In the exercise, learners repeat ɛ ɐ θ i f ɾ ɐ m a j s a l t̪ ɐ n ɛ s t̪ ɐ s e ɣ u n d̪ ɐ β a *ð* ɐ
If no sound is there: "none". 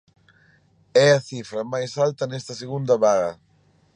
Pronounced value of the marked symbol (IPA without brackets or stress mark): ɣ